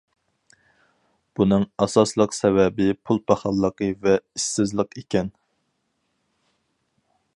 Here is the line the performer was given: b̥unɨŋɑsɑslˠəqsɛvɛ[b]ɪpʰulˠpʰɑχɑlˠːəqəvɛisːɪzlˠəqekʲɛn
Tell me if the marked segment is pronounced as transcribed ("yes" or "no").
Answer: yes